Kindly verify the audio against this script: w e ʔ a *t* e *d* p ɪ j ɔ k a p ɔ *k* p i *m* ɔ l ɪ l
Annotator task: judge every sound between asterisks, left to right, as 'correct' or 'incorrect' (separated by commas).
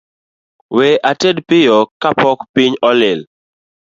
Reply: correct, correct, correct, incorrect